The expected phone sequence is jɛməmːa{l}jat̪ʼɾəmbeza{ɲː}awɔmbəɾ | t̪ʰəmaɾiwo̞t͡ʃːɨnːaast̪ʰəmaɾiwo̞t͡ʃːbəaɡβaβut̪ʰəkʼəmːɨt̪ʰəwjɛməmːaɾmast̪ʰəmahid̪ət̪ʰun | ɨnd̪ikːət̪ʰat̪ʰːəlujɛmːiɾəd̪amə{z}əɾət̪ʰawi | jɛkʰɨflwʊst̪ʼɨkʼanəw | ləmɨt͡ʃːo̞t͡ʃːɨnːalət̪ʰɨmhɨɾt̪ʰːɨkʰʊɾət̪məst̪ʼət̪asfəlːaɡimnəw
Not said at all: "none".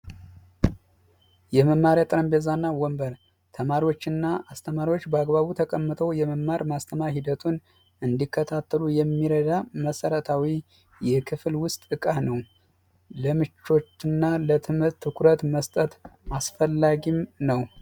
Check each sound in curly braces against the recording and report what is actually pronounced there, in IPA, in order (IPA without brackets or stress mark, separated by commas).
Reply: ɾ, nː, s